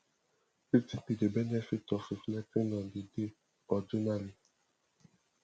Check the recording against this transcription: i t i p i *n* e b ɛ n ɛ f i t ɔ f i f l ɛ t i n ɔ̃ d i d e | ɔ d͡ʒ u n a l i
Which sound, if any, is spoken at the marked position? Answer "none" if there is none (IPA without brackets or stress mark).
d